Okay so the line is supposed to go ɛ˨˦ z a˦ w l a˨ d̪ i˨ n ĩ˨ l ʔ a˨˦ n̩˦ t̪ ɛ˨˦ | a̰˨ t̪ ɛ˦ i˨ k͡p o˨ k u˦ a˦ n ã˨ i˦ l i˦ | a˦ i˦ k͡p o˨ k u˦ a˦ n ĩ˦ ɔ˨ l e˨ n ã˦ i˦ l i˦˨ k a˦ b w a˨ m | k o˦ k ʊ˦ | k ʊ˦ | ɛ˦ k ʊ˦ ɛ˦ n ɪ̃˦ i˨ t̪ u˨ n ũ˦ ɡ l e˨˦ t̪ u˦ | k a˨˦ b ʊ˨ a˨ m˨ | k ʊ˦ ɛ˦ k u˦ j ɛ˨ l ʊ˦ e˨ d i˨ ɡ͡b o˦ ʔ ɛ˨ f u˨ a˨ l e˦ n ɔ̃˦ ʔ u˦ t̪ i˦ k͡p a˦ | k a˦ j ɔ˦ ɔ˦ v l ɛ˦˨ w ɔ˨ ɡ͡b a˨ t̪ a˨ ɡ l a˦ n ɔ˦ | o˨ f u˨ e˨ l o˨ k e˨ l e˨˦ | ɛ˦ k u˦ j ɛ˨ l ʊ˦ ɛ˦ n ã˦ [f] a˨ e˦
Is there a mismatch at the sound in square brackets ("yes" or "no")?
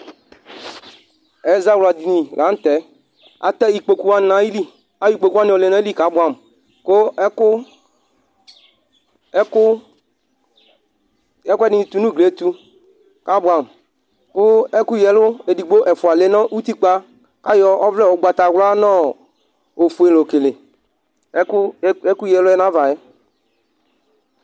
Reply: yes